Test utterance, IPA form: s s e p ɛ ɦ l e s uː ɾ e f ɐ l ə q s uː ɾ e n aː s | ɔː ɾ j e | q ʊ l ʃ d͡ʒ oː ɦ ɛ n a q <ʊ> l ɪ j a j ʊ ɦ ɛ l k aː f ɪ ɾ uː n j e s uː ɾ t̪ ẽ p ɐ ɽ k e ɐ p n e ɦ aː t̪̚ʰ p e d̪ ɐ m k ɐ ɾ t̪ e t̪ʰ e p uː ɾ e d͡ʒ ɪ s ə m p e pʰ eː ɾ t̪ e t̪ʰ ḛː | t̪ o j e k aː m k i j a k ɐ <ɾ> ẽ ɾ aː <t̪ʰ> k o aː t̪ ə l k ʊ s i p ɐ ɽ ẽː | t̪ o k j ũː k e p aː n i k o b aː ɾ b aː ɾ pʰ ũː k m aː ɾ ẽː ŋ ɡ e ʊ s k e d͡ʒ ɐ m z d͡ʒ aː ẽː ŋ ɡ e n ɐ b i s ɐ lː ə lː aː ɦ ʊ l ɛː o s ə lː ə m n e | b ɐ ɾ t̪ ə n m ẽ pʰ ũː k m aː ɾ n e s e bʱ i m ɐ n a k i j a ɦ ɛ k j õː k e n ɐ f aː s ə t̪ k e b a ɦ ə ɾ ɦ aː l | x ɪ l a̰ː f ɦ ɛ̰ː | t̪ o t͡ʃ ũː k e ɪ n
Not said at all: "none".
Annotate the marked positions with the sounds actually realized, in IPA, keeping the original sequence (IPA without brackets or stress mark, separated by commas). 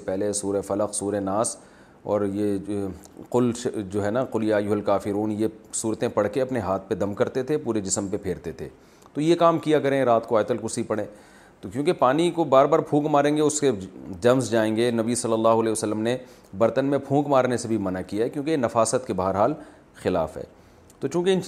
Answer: ʊ, ɾ, t̪